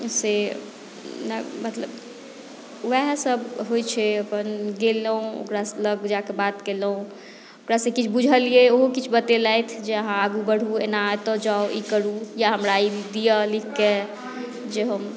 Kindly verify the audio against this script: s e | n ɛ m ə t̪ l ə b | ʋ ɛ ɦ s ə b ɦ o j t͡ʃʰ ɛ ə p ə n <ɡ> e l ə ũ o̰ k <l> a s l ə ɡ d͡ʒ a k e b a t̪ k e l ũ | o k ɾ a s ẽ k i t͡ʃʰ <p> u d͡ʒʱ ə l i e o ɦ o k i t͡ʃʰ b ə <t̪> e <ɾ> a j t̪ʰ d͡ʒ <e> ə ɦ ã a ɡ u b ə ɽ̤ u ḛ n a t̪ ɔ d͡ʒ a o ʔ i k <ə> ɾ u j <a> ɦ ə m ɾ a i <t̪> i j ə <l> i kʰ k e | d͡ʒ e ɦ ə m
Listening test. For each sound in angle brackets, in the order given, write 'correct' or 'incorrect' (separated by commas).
correct, incorrect, incorrect, correct, incorrect, correct, correct, correct, incorrect, correct